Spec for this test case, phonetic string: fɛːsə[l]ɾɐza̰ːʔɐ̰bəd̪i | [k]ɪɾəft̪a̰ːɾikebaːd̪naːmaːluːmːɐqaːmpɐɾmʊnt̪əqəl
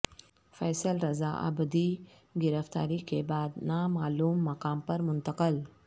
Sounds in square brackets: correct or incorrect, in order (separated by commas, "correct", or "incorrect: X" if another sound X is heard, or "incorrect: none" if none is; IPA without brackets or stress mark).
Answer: correct, incorrect: ɡ